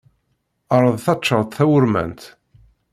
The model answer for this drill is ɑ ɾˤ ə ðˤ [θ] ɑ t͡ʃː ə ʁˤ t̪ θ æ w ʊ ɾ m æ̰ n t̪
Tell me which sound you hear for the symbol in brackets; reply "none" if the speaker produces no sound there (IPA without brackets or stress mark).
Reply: θ